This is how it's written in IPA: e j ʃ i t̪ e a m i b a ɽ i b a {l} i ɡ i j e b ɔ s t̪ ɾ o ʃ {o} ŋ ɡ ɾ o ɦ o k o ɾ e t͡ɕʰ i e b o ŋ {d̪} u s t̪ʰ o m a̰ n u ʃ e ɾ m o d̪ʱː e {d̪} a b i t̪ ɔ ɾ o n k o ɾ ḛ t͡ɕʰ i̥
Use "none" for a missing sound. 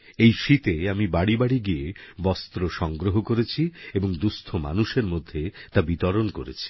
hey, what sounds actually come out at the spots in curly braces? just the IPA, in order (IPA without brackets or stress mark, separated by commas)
ɽ, ɔ, d̪, t̪